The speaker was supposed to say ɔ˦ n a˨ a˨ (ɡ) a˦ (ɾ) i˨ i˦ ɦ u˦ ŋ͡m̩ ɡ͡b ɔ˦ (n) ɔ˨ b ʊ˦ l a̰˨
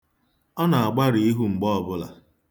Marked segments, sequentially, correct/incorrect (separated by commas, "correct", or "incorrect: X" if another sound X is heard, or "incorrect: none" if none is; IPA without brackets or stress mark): incorrect: ɡ͡b, correct, incorrect: none